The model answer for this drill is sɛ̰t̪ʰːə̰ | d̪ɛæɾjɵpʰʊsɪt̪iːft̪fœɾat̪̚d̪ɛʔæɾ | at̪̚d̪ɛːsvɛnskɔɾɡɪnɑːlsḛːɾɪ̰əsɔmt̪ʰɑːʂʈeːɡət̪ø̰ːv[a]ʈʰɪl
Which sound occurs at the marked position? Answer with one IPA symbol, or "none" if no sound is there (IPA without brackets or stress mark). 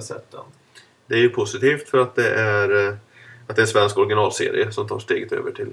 ə